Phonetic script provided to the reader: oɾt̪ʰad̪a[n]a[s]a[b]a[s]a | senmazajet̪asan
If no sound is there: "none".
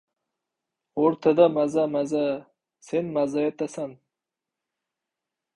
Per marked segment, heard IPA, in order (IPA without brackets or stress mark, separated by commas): m, z, m, z